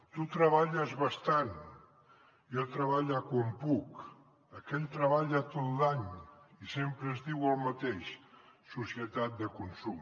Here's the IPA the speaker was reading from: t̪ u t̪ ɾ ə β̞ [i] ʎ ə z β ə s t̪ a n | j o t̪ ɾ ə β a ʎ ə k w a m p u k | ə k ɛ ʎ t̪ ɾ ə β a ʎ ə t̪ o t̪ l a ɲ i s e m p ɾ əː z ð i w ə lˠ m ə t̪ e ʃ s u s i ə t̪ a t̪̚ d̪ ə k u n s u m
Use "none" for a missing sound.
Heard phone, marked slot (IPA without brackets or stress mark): a